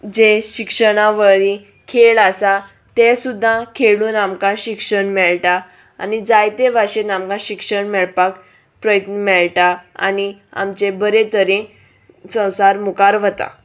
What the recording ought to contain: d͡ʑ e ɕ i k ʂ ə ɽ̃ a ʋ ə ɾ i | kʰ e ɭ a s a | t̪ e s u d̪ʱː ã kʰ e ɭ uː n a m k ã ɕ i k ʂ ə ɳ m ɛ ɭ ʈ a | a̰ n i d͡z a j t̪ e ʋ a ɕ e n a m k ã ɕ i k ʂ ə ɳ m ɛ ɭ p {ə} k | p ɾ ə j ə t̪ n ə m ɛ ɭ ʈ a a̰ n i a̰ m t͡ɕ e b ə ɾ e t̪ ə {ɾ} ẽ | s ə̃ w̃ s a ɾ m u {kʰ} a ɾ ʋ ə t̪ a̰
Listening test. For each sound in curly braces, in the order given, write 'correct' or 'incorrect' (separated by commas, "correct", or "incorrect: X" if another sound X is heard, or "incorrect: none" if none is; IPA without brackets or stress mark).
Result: incorrect: a, correct, incorrect: k